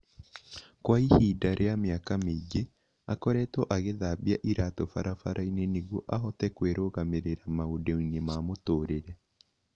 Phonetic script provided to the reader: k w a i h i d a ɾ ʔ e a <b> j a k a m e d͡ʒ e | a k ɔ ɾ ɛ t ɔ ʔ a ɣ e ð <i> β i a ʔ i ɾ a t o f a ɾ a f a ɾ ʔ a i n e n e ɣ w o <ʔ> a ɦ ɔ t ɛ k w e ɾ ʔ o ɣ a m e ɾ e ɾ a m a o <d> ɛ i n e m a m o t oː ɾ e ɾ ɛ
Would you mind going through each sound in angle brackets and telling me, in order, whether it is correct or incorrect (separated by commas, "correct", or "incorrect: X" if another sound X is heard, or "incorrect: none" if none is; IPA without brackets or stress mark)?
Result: incorrect: m, incorrect: a, correct, correct